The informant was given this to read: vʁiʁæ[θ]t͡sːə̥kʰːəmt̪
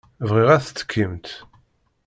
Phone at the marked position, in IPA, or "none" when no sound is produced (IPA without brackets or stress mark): θ